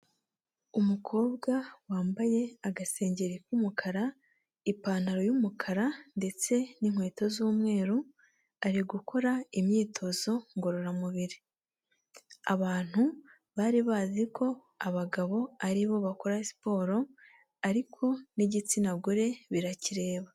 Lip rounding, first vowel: rounded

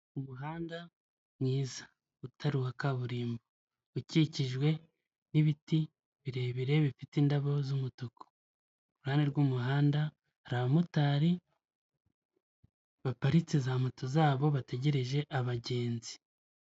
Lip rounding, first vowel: rounded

